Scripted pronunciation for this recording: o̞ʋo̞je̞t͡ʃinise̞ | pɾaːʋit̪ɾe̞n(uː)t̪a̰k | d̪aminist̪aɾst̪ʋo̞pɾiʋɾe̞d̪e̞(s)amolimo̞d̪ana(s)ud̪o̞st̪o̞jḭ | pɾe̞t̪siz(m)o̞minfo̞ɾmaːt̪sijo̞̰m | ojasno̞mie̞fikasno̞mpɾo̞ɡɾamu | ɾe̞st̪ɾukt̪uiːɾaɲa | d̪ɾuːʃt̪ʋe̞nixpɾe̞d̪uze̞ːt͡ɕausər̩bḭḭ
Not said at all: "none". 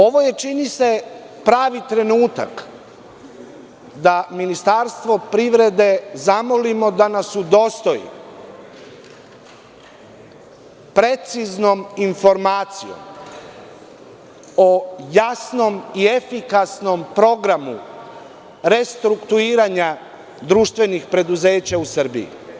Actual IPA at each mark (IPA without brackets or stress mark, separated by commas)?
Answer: uː, z, s, n